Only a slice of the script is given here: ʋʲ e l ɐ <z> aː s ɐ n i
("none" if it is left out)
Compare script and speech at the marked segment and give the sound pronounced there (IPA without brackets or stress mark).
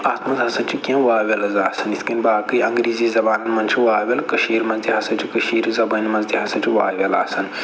z